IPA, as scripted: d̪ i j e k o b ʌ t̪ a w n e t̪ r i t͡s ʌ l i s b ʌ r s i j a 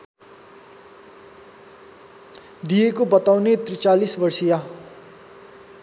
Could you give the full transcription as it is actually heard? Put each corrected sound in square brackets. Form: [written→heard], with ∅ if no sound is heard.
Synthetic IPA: d̪ i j e k o b ʌ t̪ a w n e t̪ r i t͡s [ʌ→a] l i s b ʌ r s i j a

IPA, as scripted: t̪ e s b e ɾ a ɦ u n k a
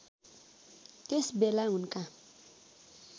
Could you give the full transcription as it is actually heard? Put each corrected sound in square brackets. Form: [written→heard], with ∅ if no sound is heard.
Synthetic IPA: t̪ e s b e [ɾ→l] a ɦ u n k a

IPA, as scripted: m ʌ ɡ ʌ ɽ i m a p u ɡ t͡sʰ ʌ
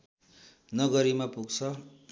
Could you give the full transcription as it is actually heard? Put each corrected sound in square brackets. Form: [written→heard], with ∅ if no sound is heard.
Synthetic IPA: [m→n] ʌ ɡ ʌ [ɽ→ɾ] i m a p u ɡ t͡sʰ ʌ

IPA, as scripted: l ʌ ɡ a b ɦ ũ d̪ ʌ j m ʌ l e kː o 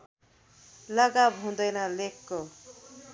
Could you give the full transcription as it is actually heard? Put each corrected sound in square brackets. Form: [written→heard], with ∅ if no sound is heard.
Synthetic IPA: l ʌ ɡ a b ɦ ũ d̪ ʌ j [m→n] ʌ l e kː o

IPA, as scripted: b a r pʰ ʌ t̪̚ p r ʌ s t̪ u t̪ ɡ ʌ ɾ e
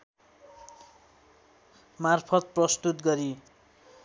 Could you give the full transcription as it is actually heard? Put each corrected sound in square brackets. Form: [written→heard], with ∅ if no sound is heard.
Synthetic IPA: [b→m] a r pʰ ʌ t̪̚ p r ʌ s t̪ u t̪ ɡ ʌ ɾ [e→i]

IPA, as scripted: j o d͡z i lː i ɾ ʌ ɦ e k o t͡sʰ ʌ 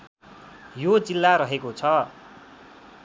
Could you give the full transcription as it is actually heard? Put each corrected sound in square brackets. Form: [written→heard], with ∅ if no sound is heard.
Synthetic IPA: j o d͡z i lː [i→a] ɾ ʌ ɦ e k o t͡sʰ ʌ

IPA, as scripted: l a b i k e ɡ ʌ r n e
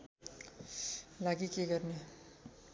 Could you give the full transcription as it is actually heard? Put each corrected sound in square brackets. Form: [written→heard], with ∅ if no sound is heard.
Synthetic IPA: l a [b→ɡ] i k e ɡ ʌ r n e

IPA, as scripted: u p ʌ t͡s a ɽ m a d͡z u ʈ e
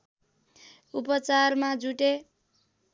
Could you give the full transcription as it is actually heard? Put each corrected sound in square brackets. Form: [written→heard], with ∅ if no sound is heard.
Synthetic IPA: u p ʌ t͡s a [ɽ→r] m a d͡z u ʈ e

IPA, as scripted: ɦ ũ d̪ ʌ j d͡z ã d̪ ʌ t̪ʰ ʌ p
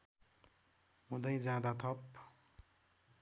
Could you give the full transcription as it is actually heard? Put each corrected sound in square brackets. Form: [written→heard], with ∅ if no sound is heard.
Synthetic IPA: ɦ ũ d̪ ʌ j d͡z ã d̪ [ʌ→a] t̪ʰ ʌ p

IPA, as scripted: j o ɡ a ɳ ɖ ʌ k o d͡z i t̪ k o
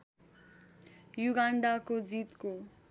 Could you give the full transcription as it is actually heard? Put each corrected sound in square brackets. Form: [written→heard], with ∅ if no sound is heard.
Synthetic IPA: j [o→u] ɡ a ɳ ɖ [ʌ→a] k o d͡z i t̪ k o

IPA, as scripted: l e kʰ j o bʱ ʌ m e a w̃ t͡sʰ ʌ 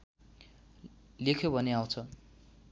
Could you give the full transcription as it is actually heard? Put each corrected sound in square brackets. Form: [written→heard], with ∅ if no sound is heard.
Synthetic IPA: l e kʰ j o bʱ ʌ [m→n] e a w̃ t͡sʰ ʌ

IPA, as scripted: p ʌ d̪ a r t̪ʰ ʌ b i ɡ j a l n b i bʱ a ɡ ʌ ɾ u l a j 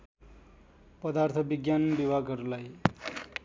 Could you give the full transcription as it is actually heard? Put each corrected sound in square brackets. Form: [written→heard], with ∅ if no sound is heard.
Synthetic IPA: p ʌ d̪ a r t̪ʰ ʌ b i ɡ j a [l→∅] n b i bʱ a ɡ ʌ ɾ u l a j

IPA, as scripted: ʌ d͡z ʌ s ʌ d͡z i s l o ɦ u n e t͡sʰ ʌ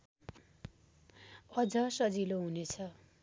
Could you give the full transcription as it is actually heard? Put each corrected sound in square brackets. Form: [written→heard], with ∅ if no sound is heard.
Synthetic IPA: ʌ d͡z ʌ s ʌ d͡z i [s→∅] l o ɦ u n e t͡sʰ ʌ

